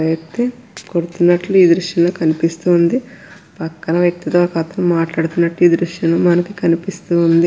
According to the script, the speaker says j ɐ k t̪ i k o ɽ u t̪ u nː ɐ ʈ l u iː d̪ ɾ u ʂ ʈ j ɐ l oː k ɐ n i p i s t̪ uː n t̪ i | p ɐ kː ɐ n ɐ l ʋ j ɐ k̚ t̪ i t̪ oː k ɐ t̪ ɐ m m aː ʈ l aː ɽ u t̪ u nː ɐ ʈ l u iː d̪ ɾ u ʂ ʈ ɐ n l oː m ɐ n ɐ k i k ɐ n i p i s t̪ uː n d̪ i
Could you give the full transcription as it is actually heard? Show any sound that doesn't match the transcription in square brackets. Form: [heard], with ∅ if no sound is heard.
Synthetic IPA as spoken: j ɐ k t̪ i k o ɽ u t̪ u nː ɐ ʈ l u iː d̪ ɾ u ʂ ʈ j ɐ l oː k ɐ n i p i s t̪ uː n [d̪] i | p ɐ kː ɐ n ɐ [∅] ʋ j ɐ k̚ t̪ i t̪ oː k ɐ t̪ ɐ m m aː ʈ l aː ɽ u t̪ u nː ɐ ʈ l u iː d̪ ɾ u ʂ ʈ ɐ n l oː m ɐ n ɐ k i k ɐ n i p i s t̪ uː n d̪ i